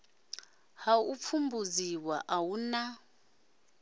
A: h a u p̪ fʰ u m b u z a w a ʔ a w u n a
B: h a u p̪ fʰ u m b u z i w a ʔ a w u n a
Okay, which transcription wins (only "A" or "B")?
B